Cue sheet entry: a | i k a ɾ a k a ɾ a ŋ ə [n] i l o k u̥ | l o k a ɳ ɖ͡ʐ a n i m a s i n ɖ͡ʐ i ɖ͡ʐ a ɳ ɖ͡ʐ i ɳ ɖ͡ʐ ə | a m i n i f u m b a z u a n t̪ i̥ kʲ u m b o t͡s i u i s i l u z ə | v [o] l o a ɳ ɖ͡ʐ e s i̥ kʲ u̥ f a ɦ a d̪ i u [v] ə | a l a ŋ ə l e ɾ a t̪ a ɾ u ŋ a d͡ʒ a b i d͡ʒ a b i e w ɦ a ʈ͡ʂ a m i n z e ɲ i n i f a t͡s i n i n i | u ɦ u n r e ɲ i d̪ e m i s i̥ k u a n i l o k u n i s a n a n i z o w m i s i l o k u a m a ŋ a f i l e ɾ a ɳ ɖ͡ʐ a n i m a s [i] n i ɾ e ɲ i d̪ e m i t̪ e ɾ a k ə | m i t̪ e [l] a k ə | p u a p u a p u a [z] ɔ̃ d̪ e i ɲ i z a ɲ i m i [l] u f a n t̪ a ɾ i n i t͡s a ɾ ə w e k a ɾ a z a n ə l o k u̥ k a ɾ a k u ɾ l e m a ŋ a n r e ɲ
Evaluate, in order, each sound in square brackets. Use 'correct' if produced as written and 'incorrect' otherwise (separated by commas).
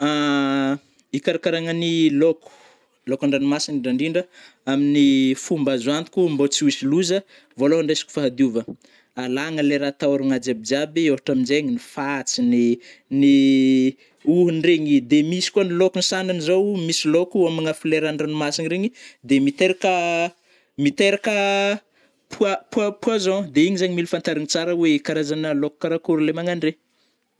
correct, correct, correct, correct, incorrect, correct, correct